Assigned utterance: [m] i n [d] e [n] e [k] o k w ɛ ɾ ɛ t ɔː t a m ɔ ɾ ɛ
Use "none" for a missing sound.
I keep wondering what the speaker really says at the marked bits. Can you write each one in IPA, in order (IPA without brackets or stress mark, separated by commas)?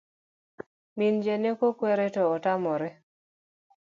m, d͡ʒ, n, k